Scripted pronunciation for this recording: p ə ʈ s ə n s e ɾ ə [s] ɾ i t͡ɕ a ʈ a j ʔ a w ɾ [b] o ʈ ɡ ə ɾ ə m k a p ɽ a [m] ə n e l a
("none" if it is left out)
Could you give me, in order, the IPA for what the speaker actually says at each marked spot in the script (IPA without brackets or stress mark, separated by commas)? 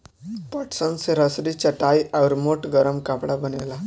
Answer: s, m, b